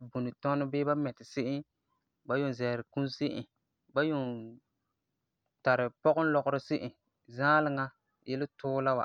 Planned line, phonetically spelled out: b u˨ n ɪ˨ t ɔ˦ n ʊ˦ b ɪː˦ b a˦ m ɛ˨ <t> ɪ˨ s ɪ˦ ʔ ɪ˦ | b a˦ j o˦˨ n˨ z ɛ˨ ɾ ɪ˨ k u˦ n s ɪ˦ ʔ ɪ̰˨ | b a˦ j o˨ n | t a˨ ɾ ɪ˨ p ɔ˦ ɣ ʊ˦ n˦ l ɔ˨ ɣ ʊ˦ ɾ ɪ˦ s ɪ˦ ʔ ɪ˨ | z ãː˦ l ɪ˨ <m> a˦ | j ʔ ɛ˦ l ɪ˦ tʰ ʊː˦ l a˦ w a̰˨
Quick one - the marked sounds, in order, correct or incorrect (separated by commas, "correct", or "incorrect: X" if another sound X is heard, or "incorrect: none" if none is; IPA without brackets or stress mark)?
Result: correct, incorrect: ŋ